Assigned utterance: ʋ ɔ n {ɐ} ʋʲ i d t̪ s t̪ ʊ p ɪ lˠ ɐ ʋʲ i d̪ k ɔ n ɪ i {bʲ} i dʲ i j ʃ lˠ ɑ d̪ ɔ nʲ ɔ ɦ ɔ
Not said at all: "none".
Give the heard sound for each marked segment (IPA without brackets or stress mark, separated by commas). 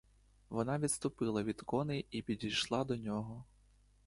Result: ɑ, pʲ